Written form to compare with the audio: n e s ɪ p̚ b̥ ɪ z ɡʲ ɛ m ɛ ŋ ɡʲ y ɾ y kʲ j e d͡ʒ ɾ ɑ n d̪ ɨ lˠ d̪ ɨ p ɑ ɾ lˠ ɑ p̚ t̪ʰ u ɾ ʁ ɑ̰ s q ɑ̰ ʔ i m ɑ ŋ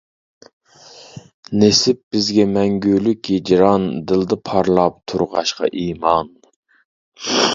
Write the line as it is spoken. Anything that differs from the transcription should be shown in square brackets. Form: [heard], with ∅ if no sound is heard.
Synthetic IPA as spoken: n e s ɪ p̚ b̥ ɪ z ɡʲ ɛ m ɛ ŋ ɡʲ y [l] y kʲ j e d͡ʒ ɾ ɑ n d̪ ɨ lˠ d̪ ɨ [pʰ] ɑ ɾ lˠ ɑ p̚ t̪ʰ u ɾ ʁ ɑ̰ [ʃ] q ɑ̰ ʔ i m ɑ [n]